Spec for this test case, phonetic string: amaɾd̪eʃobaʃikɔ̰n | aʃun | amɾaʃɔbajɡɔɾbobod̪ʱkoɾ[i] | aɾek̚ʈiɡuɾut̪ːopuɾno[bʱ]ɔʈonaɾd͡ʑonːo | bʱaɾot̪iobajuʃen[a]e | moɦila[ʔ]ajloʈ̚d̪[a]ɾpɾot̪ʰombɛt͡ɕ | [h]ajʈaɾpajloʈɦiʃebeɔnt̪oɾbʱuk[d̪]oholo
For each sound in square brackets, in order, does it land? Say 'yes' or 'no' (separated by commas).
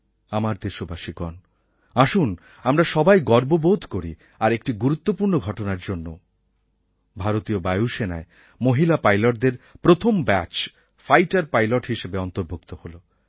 yes, no, yes, no, no, no, no